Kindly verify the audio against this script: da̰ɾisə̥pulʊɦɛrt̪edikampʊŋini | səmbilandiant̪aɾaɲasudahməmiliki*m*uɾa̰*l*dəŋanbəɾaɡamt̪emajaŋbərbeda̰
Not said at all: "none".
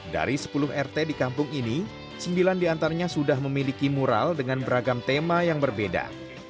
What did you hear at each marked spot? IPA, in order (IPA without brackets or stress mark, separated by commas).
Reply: m, l